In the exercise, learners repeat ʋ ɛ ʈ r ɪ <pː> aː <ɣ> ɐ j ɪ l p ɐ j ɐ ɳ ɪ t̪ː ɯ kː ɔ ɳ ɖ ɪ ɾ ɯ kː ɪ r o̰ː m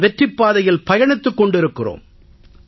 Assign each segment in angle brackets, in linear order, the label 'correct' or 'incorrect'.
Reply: correct, incorrect: ð

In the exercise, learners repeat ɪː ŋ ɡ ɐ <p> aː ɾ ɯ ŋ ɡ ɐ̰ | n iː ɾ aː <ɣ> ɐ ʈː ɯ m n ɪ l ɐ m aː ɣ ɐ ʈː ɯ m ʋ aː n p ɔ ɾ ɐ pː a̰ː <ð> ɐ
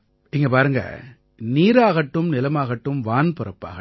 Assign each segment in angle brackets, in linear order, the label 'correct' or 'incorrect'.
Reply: correct, correct, incorrect: ɣ

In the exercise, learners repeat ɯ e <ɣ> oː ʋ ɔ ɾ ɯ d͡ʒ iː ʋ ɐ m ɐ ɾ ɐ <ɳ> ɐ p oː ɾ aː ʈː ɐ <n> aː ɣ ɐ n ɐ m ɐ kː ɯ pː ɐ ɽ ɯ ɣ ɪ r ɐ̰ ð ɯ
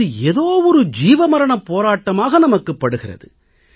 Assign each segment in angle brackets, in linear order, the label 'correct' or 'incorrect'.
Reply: incorrect: ð, correct, incorrect: m

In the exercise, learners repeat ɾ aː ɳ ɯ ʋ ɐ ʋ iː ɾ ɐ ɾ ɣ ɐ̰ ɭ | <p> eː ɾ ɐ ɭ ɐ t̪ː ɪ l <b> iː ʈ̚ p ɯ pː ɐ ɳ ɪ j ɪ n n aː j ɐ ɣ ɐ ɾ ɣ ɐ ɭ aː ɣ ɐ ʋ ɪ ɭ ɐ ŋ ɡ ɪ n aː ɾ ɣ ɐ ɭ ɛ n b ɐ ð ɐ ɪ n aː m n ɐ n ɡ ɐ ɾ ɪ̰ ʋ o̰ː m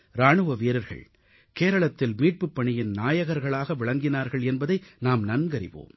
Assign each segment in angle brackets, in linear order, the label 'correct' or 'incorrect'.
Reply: incorrect: k, incorrect: m

